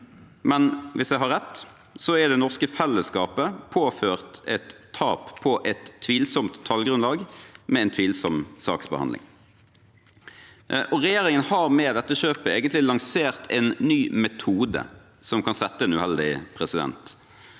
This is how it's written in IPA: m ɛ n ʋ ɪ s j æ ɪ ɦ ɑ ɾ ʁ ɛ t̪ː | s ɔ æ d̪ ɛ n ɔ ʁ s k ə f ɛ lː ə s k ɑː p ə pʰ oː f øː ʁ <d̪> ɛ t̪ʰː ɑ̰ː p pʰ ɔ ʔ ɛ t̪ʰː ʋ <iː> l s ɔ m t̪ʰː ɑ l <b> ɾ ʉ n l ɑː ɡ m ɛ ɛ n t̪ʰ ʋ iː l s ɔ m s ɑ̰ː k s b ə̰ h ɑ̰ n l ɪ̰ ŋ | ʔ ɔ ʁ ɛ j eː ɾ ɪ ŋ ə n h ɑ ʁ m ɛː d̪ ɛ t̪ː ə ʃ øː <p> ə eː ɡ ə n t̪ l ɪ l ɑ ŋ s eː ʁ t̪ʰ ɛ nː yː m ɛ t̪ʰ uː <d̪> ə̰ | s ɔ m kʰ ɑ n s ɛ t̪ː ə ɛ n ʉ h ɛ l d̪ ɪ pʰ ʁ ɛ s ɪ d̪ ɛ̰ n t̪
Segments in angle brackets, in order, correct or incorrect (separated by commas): incorrect, correct, incorrect, correct, correct